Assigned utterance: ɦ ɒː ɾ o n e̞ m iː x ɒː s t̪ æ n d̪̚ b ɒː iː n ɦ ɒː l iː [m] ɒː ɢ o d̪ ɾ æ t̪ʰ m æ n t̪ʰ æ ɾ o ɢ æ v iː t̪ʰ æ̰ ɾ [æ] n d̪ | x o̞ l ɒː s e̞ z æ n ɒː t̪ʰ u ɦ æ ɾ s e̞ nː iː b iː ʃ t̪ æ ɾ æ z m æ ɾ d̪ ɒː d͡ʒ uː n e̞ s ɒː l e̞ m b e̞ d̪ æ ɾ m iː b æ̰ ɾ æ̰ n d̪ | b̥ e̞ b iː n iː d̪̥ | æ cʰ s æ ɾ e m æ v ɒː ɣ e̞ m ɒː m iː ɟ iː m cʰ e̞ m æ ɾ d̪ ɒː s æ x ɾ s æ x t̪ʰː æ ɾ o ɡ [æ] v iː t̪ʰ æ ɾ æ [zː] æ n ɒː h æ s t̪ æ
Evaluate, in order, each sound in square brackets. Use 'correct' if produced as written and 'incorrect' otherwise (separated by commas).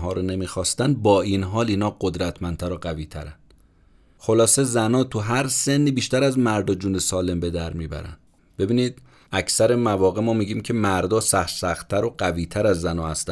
incorrect, correct, correct, correct